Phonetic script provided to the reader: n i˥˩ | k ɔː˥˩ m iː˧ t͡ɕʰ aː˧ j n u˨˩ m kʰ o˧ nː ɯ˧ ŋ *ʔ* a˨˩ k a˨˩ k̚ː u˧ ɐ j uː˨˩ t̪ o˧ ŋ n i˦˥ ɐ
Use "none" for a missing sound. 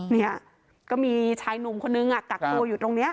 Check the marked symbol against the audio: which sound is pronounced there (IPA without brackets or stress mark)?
ʔ